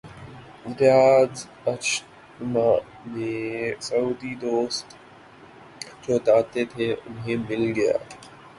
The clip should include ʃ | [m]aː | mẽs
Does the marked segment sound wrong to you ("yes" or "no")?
no